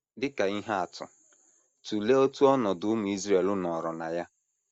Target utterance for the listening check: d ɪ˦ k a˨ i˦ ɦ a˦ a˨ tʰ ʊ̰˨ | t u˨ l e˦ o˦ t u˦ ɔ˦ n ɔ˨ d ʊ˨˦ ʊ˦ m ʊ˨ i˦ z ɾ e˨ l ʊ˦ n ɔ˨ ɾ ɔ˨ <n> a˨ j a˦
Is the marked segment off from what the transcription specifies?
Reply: no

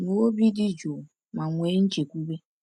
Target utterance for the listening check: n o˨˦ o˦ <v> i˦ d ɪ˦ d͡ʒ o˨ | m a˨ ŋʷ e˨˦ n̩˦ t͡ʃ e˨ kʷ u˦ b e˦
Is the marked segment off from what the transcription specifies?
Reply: yes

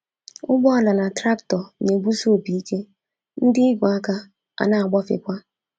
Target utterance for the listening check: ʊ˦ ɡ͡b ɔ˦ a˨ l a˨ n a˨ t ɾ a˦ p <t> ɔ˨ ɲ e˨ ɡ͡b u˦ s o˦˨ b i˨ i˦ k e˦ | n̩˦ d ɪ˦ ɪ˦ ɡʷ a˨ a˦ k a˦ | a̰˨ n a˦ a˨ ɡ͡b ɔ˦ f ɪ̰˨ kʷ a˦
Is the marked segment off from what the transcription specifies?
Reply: no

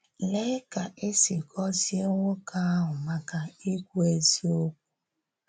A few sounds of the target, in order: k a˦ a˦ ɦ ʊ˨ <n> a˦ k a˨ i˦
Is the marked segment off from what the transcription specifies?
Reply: yes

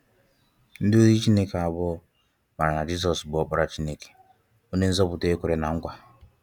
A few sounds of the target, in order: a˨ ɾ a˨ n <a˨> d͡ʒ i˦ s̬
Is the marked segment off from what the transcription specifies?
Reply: no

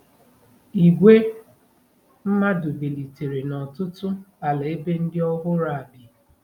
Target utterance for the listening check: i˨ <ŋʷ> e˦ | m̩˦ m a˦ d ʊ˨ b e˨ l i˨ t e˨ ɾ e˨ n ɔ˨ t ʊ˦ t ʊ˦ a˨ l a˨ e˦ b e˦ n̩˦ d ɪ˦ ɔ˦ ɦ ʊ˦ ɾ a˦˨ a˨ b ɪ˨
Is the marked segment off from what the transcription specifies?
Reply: yes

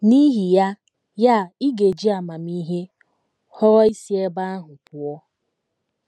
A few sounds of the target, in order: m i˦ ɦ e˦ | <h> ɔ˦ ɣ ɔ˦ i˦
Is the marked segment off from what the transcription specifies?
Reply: no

